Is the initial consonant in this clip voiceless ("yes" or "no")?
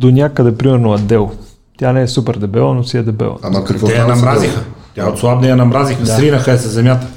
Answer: no